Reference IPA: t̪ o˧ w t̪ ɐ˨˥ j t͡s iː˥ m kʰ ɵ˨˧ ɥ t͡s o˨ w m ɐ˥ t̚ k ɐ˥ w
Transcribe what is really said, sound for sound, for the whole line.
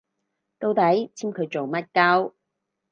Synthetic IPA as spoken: t̪ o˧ w t̪ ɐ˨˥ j t͡sʰ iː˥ m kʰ ɵ˨˧ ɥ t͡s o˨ w m ɐ˥ t̚ k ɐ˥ w